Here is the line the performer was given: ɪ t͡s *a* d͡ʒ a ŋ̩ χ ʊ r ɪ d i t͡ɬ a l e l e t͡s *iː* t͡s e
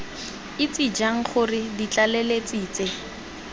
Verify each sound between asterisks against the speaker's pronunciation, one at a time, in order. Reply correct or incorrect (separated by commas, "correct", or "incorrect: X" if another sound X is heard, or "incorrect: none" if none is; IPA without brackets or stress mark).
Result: incorrect: i, correct